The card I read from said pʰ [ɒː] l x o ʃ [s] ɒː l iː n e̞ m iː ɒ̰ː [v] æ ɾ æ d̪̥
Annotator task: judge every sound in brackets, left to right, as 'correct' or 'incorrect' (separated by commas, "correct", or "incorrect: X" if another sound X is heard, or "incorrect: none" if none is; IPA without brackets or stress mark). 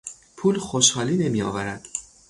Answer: incorrect: uː, incorrect: h, correct